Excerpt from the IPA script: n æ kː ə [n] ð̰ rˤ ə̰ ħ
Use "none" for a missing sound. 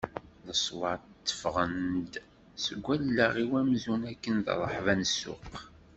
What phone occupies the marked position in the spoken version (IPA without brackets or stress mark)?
n